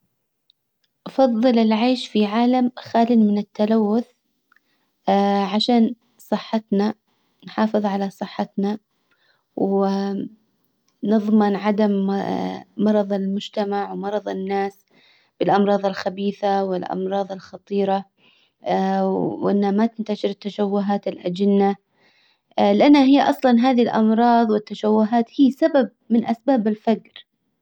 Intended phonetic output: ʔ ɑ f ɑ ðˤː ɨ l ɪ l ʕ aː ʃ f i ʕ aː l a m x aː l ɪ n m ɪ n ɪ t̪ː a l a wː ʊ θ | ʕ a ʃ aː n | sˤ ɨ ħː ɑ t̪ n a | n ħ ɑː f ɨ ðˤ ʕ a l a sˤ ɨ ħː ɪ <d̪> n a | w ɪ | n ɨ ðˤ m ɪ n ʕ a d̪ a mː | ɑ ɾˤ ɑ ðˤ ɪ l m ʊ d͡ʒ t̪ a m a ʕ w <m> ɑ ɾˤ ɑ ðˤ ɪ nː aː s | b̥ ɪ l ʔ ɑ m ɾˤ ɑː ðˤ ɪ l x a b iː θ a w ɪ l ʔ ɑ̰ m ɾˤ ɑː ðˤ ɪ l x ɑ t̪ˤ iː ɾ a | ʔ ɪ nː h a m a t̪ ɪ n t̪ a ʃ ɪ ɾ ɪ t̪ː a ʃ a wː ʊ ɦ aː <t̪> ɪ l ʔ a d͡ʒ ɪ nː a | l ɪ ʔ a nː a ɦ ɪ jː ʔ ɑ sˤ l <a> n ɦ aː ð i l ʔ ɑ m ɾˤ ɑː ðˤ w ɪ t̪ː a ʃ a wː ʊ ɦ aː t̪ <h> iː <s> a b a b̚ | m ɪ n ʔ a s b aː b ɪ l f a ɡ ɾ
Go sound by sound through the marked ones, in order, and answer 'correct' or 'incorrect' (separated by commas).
incorrect, correct, correct, incorrect, correct, correct